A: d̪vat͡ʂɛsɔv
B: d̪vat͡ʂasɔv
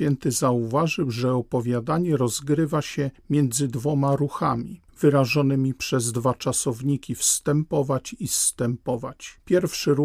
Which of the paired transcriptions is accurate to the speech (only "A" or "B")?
B